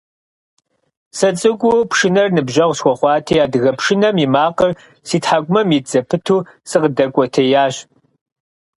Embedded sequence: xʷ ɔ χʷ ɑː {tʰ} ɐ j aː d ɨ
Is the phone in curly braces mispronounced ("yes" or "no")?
no